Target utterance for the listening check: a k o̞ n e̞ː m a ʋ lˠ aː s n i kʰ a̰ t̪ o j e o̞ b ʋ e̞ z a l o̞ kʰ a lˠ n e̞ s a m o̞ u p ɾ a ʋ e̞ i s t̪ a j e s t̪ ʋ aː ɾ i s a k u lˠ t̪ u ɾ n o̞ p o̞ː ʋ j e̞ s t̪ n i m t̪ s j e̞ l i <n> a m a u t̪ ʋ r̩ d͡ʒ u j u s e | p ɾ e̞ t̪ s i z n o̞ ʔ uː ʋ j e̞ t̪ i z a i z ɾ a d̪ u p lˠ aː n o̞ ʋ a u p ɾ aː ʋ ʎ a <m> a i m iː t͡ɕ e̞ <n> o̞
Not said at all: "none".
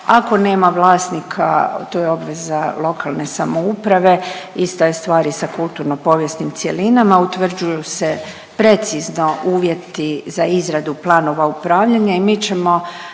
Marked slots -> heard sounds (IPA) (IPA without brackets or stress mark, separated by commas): n, ɲ, m